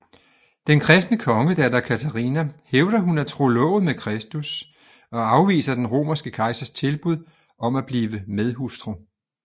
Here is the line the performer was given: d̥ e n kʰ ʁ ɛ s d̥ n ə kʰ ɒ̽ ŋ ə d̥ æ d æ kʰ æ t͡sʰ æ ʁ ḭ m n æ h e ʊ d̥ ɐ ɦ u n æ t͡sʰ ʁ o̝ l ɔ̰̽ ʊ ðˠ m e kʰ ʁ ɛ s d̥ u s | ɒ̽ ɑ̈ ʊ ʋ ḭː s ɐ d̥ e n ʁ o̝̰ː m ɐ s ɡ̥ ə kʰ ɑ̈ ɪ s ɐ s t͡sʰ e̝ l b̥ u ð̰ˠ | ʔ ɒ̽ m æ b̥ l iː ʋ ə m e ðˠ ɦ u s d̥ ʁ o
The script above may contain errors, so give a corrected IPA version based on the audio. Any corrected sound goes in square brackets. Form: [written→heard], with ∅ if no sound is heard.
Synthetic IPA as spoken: d̥ e n kʰ ʁ ɛ s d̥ n ə kʰ ɒ̽ ŋ ə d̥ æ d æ kʰ æ t͡sʰ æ ʁ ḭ [m→∅] n æ h e ʊ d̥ ɐ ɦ u n æ t͡sʰ ʁ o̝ l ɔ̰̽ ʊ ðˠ m e kʰ ʁ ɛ s d̥ u s | ɒ̽ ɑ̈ ʊ ʋ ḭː s ɐ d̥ e n ʁ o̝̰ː m ɐ s ɡ̥ ə kʰ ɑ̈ ɪ s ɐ s t͡sʰ e̝ l b̥ u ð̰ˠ | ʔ ɒ̽ m æ b̥ l iː ʋ ə m e ðˠ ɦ u s d̥ ʁ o